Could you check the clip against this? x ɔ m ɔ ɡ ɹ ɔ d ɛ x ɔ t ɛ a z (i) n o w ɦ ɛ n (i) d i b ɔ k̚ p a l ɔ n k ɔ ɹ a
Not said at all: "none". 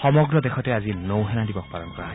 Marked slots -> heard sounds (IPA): i, a

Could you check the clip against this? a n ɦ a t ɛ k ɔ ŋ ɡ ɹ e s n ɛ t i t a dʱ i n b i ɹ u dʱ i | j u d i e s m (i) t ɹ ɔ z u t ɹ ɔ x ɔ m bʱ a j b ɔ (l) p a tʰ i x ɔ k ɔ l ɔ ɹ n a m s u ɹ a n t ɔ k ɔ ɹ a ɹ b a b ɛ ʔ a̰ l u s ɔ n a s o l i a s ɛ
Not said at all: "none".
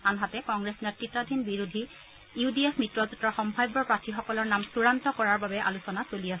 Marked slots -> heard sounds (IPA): i, ɹ

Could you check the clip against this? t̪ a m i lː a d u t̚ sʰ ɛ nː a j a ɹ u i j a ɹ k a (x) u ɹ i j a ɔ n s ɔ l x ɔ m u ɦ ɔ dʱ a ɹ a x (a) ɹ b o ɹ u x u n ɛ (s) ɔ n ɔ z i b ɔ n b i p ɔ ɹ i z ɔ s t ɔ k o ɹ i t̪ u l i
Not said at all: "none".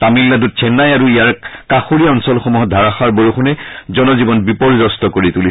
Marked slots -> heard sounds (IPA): x, a, z

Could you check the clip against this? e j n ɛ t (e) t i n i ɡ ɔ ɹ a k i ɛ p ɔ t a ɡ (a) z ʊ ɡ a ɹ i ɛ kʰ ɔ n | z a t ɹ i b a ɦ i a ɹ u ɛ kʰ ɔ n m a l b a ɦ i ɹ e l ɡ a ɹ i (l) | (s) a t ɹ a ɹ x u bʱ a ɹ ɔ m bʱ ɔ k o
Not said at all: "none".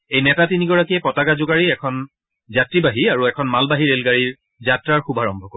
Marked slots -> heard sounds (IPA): a, a, ɹ, z

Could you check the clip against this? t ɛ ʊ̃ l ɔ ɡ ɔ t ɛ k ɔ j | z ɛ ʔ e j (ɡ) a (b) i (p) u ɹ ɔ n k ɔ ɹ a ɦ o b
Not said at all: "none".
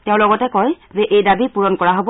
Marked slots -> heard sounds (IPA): d, b, p

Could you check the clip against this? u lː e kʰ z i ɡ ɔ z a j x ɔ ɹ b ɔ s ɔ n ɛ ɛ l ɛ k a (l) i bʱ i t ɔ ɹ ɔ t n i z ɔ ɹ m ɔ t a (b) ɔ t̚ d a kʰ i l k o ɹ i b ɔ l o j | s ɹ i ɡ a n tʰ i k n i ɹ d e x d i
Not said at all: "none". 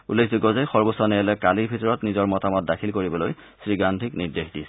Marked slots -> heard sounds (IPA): l, m

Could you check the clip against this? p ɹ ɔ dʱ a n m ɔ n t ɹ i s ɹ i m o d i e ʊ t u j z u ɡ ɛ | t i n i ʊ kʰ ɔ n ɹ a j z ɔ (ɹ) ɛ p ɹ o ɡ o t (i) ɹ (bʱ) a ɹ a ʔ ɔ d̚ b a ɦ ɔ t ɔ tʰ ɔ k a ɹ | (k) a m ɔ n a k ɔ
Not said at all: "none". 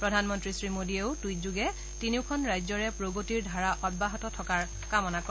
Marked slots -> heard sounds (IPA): ɹ, i, dʱ, k

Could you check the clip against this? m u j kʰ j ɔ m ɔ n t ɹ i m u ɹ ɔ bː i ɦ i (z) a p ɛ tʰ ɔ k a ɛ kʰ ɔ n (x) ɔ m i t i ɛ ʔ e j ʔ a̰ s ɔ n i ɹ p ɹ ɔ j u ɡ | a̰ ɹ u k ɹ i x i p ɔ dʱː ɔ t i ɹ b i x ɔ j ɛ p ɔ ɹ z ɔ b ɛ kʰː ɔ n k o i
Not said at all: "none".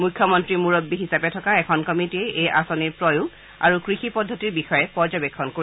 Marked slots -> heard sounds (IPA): s, k

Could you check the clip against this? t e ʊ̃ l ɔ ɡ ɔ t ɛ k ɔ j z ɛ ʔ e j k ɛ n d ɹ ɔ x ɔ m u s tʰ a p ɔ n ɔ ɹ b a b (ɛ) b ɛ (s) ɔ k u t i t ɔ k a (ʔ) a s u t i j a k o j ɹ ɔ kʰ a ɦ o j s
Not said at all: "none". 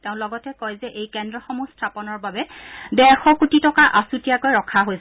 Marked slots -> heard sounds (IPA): ɛ, x, ʔ

